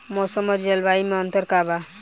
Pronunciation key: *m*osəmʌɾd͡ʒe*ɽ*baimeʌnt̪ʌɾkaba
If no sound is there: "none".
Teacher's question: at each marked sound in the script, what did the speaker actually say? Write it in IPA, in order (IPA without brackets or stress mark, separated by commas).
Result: m, l